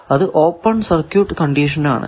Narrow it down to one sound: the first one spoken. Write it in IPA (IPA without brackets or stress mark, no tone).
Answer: ɐ